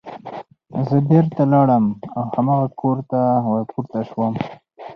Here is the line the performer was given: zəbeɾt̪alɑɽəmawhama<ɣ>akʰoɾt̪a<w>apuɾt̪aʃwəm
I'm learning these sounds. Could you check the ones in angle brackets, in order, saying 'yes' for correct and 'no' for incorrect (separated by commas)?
yes, yes